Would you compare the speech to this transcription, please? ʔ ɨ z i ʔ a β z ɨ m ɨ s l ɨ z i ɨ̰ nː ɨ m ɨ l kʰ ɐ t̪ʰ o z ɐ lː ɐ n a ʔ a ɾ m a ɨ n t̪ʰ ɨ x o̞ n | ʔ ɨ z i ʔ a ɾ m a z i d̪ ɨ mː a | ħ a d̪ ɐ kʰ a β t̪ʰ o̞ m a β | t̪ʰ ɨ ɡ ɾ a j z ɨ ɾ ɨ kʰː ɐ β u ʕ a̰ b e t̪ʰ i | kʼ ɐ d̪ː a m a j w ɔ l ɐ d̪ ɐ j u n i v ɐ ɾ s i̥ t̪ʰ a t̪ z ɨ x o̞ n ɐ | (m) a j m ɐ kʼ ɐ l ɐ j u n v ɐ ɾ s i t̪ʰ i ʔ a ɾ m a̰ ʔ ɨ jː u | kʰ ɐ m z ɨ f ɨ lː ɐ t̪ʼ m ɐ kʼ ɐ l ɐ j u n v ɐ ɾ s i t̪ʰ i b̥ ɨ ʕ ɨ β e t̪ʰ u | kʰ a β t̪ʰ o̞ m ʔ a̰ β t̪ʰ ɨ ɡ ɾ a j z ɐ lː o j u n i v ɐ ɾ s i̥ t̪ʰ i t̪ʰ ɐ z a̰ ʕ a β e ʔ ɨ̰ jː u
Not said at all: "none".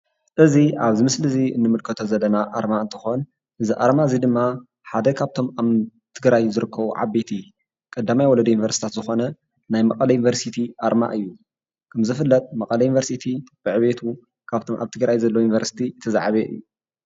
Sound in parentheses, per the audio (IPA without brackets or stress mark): n